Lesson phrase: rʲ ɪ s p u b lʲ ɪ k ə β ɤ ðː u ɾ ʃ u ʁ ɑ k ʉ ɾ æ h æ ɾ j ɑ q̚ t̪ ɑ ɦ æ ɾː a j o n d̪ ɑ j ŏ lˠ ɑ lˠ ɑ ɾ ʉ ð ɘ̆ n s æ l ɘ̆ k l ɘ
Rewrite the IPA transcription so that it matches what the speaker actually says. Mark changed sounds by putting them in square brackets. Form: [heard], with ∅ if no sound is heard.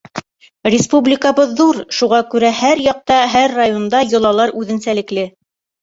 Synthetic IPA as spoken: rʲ ɪ s p u b lʲ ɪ k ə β ɤ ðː u ɾ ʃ u ʁ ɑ k ʉ ɾ æ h æ ɾ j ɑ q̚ t̪ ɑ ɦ æ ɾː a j o n d̪ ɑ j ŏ lˠ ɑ lˠ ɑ ɾ ʉ ð ɘ̆ n s æ l ɘ̆ k l ɘ

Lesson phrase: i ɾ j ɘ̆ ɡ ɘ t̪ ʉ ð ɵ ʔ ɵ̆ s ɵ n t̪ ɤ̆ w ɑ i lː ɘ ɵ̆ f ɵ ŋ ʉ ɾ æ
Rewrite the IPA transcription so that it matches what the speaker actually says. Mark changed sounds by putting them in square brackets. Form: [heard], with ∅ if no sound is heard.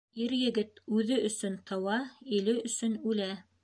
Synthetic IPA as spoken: i ɾ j ɘ̆ ɡ ɘ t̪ ʉ ð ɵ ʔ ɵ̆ s ɵ n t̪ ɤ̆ w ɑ i [l] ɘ ɵ̆ [s] ɵ [n] ʉ [l] æ

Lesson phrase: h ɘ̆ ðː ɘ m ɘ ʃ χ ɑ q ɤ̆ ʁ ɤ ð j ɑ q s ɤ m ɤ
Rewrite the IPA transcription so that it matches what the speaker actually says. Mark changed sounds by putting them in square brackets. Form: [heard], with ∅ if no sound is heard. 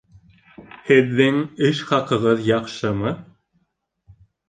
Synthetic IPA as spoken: h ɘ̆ ðː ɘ [ŋ] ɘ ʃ χ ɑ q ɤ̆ ʁ ɤ ð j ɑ q [ʃ] ɤ m ɤ

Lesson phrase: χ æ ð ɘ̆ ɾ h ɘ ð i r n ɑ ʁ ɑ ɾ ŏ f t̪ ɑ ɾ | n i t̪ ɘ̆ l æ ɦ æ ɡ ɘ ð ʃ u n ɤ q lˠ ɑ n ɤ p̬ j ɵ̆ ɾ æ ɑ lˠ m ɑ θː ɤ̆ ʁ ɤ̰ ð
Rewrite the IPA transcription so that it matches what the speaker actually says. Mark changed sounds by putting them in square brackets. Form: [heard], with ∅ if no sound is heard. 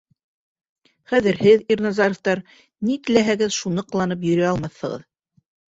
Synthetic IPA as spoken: χ æ ð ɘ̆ ɾ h ɘ ð i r n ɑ [z] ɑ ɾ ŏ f t̪ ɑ ɾ | n i t̪ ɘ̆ l æ ɦ æ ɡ ɘ ð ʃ u n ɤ q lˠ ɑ n ɤ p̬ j ɵ̆ ɾ æ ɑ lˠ m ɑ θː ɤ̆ ʁ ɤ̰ ð

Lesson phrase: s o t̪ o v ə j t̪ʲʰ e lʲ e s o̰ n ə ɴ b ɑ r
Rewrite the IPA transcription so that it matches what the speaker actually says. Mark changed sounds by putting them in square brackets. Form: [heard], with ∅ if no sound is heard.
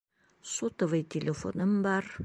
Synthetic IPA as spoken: s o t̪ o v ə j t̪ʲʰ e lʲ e [f] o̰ n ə [m] b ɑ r

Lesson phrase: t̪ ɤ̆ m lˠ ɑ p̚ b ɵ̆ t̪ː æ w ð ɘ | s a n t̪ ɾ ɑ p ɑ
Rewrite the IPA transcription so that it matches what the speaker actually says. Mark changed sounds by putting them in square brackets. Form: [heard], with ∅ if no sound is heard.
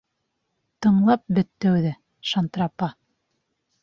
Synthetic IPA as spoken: t̪ ɤ̆ [ɴ] lˠ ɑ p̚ b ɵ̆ t̪ː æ w ð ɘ | [ʃ] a n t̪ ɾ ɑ p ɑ

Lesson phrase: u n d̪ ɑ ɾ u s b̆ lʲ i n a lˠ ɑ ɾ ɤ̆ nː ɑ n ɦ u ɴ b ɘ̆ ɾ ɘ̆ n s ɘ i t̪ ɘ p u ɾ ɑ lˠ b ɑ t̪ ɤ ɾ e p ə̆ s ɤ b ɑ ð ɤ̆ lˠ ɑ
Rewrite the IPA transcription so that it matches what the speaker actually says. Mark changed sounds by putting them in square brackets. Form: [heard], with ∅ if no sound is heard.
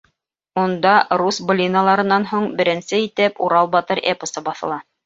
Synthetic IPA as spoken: u n d̪ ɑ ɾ u s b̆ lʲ i n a lˠ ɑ ɾ ɤ̆ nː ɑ n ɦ u ɴ b ɘ̆ ɾ ɘ̆ n s ɘ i t̪ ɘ p u ɾ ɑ lˠ b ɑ t̪ ɤ ɾ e p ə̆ s ɤ b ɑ [θ] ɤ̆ lˠ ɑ

